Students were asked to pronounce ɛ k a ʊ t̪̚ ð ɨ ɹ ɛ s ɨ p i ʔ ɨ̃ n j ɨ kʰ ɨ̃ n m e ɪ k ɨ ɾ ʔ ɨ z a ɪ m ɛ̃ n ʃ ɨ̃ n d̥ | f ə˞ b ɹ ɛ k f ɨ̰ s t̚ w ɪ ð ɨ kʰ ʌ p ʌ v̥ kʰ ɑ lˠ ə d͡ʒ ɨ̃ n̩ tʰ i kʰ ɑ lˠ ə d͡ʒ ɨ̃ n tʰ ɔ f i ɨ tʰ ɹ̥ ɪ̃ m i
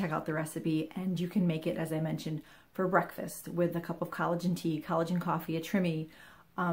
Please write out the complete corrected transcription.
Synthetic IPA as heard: ɛ k a ʊ t̪̚ ð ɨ ɹ ɛ s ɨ p i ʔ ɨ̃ n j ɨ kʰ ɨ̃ n m e ɪ k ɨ ɾ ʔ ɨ z a ɪ m ɛ̃ n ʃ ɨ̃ n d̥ | f ə˞ b ɹ ɛ k f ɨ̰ s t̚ w ɪ ð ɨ kʰ ʌ p ʌ v̥ kʰ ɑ lˠ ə d͡ʒ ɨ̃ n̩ tʰ i kʰ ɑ lˠ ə d͡ʒ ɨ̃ n kʰ ɔ f i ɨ tʰ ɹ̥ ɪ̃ m i